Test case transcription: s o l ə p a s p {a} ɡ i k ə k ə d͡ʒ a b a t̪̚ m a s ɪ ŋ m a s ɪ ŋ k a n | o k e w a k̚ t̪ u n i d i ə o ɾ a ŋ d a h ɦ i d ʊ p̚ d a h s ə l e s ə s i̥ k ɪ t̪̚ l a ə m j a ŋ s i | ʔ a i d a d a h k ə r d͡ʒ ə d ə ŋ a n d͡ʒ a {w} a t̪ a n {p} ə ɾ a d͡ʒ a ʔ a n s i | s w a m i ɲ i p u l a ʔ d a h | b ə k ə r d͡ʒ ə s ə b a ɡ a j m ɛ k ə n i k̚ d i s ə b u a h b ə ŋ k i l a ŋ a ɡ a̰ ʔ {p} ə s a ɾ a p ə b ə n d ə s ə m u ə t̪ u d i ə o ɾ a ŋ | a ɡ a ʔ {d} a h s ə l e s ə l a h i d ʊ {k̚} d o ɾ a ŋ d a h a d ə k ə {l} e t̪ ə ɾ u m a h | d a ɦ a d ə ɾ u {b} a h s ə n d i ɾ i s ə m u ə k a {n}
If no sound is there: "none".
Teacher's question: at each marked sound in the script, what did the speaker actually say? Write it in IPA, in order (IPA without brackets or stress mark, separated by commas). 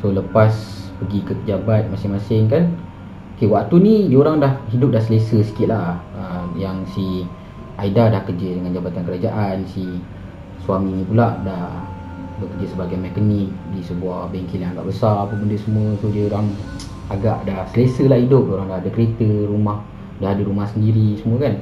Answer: ə, b, k, b, d, p̚, ɾ, m, n